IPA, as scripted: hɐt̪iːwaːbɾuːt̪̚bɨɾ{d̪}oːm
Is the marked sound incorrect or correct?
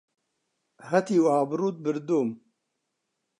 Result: correct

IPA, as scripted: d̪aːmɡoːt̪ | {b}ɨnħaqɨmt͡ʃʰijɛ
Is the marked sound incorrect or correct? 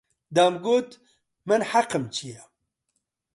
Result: incorrect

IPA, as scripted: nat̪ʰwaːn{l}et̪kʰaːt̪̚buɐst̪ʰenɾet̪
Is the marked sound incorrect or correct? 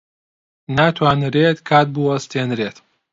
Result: incorrect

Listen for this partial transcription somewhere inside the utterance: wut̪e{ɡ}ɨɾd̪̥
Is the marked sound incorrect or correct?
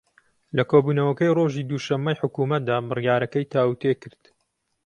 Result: incorrect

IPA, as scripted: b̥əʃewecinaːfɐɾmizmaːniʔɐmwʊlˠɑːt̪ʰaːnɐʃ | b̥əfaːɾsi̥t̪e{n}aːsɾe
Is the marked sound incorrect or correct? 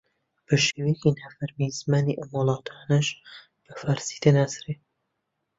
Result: correct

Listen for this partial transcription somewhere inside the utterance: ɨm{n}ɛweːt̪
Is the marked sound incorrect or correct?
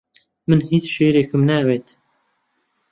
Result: correct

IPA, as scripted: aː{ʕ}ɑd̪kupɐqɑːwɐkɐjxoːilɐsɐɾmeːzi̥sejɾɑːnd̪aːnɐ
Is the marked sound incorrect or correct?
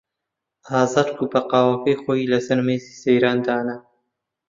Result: incorrect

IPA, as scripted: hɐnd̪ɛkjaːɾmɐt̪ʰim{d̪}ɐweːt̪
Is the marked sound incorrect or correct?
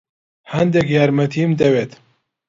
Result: correct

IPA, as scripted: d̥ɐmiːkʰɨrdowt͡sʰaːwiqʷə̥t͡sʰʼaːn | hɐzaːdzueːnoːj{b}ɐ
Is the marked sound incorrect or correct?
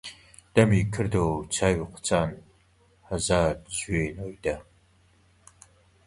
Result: incorrect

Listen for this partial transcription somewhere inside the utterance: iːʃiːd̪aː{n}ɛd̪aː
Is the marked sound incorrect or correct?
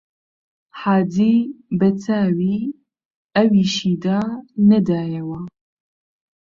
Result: correct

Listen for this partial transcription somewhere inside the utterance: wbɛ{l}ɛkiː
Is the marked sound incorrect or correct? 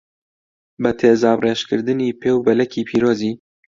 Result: correct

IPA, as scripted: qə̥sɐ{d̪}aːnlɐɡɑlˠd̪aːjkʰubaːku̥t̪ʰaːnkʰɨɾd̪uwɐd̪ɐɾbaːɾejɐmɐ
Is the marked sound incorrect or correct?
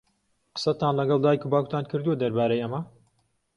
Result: incorrect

